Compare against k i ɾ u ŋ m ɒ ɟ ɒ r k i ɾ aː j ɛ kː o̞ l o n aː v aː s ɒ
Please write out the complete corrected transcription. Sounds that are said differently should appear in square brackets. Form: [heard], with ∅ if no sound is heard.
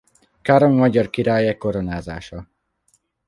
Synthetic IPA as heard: k [a] ɾ [o] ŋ m ɒ ɟ ɒ r k i ɾ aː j ɛ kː o̞ [ɾ] o n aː [z] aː [ʃ] ɒ